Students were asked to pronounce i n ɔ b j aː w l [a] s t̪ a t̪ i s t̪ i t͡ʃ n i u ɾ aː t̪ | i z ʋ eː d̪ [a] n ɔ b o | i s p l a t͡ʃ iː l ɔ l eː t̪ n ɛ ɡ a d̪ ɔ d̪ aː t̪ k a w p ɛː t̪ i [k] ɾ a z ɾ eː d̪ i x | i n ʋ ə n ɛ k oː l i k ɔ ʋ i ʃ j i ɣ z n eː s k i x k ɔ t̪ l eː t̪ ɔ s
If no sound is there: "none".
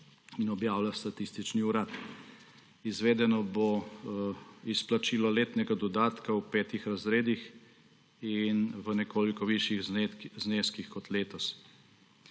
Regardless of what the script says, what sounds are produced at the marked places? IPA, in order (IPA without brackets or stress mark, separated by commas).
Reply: a, ɛ, x